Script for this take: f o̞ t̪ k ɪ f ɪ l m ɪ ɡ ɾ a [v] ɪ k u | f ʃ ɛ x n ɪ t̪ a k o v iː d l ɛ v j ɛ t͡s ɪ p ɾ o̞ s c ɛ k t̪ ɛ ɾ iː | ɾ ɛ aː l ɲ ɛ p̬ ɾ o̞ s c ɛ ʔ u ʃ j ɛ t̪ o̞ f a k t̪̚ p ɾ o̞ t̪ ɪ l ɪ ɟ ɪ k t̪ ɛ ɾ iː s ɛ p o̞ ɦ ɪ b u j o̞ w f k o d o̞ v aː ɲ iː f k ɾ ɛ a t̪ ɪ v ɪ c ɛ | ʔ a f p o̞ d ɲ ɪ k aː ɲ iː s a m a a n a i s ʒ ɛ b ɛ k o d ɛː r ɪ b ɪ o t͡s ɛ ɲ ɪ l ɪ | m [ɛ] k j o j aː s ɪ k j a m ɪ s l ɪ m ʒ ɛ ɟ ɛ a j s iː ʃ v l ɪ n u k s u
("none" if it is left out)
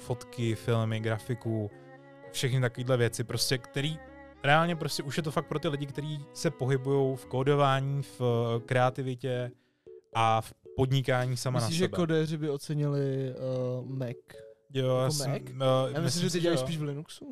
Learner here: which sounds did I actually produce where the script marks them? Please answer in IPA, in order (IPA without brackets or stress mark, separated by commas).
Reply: f, ɛ